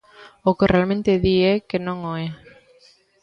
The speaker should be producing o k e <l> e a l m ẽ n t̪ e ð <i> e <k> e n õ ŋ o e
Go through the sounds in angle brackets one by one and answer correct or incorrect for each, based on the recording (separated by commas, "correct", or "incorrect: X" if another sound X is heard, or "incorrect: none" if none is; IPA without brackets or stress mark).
incorrect: r, correct, correct